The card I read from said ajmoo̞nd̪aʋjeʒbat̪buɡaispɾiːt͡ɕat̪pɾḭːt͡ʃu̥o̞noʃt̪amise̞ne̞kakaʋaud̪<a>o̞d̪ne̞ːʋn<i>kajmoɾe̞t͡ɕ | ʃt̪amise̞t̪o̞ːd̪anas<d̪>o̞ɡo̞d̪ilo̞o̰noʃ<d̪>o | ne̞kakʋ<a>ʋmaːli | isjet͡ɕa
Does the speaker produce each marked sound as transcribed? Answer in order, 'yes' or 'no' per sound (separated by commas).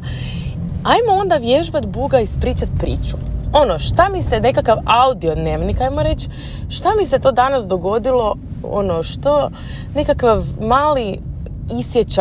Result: no, yes, yes, no, yes